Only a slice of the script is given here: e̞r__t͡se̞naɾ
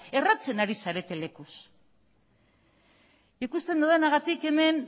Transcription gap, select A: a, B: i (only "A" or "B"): A